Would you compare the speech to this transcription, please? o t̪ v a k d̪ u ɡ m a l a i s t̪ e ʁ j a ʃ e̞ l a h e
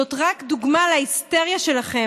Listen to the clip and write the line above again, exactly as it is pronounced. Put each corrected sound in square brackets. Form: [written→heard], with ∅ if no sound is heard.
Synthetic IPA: o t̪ [v→ʁ] a k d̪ u ɡ m a l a i s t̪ e ʁ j a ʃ e̞ l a [h→χ] e